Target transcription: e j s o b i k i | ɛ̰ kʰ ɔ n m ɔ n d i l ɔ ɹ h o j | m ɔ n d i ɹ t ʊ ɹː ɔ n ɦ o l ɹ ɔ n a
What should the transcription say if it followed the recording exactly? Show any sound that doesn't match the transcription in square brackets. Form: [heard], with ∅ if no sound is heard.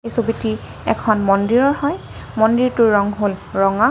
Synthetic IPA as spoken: e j s o b i [t] i | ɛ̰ kʰ ɔ n m ɔ n d i [ɹ] ɔ ɹ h [ɔ] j | m ɔ n d i ɹ t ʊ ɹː ɔ [ŋ] ɦ o l ɹ ɔ [ŋ] a